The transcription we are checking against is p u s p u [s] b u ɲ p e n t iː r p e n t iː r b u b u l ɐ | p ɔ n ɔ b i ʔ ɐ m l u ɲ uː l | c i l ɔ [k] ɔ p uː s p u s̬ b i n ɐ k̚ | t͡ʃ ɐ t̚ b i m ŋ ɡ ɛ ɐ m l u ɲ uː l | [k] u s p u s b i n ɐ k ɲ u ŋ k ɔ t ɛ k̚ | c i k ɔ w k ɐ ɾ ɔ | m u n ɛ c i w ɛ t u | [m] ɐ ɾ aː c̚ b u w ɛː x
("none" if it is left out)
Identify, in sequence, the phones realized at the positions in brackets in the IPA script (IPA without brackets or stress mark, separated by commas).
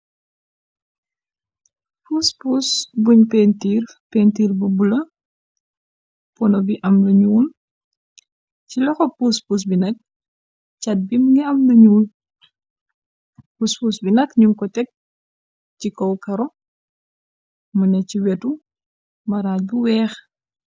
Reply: s, x, p, m